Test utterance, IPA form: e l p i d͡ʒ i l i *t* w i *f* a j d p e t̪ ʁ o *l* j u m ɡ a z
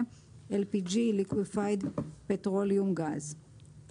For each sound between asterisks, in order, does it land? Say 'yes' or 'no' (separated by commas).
no, yes, yes